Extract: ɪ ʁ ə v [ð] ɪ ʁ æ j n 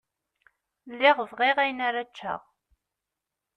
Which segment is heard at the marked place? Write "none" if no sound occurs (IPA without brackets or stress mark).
ʁ